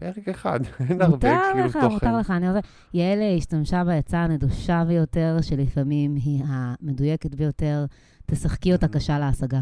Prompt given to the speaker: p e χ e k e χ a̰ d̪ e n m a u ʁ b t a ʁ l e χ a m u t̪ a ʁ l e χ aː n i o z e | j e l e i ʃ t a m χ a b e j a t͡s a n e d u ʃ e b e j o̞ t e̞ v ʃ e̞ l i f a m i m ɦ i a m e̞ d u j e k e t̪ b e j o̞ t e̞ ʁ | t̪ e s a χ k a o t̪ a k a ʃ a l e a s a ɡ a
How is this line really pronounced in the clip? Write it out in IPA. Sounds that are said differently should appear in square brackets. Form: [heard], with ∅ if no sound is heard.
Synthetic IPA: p e [ʁ] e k e χ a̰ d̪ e n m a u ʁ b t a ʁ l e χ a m u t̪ a ʁ l e χ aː n i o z e | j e l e i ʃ t a m [ʃ] a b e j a t͡s a n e d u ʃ [a] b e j o̞ t e̞ [ʁ] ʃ e̞ l i f a m i m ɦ i a m e̞ d u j e k e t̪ b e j o̞ t e̞ ʁ | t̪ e s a χ k [i] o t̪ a k a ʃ a l e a s a ɡ a